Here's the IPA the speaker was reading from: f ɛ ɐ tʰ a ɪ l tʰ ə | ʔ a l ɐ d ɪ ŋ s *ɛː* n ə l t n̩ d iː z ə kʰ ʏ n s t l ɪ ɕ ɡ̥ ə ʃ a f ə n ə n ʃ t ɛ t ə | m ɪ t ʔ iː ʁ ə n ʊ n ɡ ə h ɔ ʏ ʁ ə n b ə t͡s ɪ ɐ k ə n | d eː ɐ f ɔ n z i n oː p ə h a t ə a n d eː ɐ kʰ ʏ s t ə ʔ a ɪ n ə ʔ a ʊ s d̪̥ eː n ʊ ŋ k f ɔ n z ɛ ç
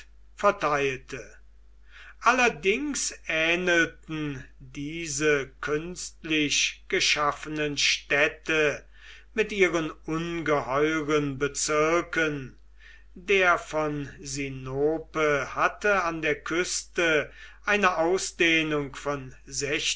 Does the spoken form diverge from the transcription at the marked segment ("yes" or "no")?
no